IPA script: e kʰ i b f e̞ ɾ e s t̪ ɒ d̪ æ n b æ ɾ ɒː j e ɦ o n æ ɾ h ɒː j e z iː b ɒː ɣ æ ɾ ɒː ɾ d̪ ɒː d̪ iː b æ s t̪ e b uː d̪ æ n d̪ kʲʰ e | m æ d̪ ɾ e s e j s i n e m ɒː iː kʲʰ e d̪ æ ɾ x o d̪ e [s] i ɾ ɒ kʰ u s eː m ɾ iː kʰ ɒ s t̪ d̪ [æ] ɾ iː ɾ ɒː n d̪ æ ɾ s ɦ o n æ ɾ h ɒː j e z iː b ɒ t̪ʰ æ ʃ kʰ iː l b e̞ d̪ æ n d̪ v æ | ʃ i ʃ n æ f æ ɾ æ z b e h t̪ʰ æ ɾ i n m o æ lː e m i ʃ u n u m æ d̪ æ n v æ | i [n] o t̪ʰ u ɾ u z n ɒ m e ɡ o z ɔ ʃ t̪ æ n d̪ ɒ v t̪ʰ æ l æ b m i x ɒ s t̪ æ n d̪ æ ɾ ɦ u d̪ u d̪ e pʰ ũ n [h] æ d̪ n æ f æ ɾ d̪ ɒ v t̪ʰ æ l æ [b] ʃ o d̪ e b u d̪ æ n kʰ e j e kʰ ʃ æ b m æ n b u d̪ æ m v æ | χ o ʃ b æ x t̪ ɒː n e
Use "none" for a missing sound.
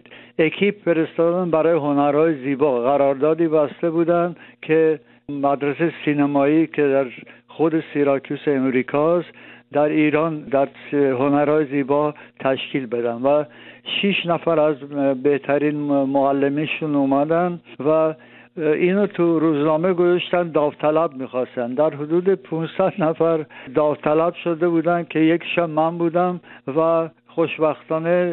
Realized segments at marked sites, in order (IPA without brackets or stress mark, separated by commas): s, æ, n, s, b